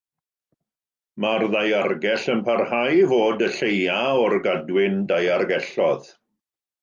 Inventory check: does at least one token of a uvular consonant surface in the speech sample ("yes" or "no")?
no